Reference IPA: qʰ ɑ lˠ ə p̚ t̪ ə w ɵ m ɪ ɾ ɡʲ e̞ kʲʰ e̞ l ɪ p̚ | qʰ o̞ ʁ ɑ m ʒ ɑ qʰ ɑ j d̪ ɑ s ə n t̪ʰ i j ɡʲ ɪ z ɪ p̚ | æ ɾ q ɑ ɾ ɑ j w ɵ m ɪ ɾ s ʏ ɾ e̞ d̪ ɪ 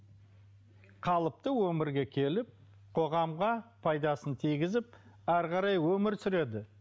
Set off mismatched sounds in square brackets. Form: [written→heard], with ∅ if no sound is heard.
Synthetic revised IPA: qʰ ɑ lˠ ə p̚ t̪ ə w ɵ m ɪ ɾ ɡʲ e̞ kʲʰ e̞ l ɪ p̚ | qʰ o̞ ʁ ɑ m [ʒ→ʁ] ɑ [qʰ→pʰ] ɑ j d̪ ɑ s ə n t̪ʰ i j ɡʲ ɪ z ɪ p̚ | æ ɾ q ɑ ɾ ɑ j w ɵ m ɪ ɾ s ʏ ɾ e̞ d̪ ɪ